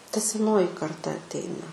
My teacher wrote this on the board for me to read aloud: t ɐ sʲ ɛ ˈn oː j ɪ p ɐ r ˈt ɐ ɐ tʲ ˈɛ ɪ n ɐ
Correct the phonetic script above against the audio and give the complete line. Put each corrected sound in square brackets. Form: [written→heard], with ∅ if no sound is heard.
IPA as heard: t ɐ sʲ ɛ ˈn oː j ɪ [p→k] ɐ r ˈt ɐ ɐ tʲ ˈɛ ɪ n ɐ